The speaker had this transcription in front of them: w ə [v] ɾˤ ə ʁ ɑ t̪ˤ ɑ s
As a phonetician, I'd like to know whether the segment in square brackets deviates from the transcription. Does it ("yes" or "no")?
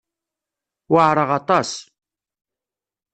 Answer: yes